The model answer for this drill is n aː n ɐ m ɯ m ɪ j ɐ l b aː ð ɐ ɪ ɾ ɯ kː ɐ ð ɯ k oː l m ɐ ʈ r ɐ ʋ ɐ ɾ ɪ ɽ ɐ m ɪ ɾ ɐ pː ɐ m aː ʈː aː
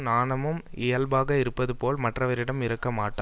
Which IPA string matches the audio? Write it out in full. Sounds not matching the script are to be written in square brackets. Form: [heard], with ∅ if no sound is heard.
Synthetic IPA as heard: n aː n ɐ m ɯ m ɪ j ɐ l b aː [ɣ] ɐ ɪ ɾ ɯ [pː] ɐ ð ɯ [p] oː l m ɐ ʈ r ɐ ʋ ɐ ɾ ɪ ɽ ɐ m ɪ ɾ ɐ [kː] ɐ m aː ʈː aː